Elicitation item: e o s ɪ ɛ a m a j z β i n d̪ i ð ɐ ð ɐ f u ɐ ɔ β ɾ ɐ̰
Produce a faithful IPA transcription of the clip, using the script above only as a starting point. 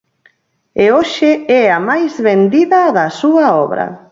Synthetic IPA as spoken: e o ʃ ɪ ɛ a m a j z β e n d̪ i ð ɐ ð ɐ s u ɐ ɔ β ɾ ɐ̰